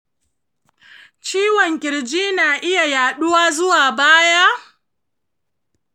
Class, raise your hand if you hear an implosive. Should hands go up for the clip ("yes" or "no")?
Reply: yes